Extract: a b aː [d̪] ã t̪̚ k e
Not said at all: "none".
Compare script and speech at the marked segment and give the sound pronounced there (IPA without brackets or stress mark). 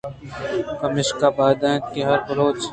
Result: d̪